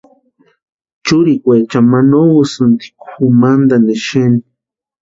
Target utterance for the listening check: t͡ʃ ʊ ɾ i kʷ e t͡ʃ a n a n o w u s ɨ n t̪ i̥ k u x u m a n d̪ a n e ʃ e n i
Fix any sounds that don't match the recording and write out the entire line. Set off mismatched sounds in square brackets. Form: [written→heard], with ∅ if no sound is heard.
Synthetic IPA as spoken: t͡ʃ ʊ ɾ i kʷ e t͡ʃ a [n→m] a n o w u s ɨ n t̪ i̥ k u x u m a n d̪ a n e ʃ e n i